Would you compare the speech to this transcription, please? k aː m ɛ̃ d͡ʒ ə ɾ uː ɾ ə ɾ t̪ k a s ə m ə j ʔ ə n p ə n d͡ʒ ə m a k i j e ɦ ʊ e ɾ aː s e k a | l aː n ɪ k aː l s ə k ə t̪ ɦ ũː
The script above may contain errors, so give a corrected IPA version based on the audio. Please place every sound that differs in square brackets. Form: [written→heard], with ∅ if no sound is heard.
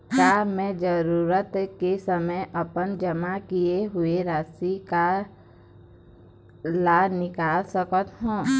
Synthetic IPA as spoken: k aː m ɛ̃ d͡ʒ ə ɾ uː ɾ ə [ɾ→∅] t̪ k [a→e] s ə m ə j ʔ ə [n→∅] p ə n d͡ʒ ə m a k i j e ɦ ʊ e ɾ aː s [e→i] k a | l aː n ɪ k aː l s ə k ə t̪ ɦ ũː